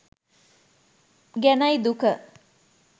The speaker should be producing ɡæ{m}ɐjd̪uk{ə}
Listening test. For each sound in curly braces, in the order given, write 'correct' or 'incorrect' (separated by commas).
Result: incorrect, correct